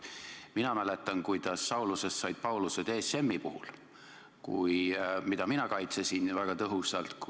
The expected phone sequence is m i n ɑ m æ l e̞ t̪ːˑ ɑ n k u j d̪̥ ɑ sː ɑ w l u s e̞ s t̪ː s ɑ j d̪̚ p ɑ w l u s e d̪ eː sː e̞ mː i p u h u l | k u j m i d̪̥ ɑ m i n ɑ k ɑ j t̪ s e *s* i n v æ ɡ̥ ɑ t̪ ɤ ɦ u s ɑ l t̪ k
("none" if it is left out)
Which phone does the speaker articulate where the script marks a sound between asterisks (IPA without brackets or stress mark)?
s